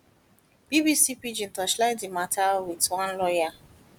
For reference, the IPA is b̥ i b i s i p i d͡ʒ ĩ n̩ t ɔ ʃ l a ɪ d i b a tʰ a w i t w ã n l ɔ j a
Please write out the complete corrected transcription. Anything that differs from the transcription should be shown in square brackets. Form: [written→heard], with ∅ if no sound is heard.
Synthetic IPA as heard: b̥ i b i s i p i d͡ʒ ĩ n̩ t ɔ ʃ l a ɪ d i [b→m] a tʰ a w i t w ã n l ɔ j a